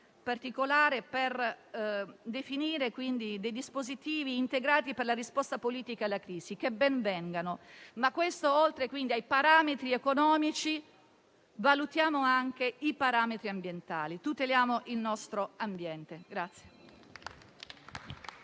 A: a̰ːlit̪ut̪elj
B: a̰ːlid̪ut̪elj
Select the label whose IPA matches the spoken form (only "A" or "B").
A